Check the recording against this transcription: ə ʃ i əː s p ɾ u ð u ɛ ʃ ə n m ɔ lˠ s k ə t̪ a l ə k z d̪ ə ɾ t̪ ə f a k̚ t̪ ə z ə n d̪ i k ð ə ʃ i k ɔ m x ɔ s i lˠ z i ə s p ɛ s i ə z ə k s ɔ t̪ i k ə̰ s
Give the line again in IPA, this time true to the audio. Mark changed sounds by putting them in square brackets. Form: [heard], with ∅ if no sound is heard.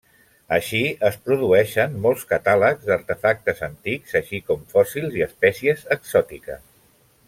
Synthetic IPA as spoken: ə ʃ i [ə] s p ɾ u ð u ɛ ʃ ə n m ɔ lˠ s k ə t̪ a l ə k z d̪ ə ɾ t̪ ə f a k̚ t̪ ə z ə n [t̪] i k [z] ə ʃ i k ɔ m [f] ɔ s i lˠ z i ə s p ɛ s i ə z ə k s ɔ t̪ i k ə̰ s